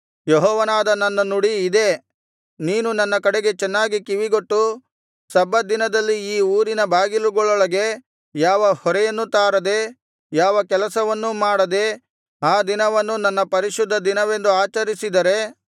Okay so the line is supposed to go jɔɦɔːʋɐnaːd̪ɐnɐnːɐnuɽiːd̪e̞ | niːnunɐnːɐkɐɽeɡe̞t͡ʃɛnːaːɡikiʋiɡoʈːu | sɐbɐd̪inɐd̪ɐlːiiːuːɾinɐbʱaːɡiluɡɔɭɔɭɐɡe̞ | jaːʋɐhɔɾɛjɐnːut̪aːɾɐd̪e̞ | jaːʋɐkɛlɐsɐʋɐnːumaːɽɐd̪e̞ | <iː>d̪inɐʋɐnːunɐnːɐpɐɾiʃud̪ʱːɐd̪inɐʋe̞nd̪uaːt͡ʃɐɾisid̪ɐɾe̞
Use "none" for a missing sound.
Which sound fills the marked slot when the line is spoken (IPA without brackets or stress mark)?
aː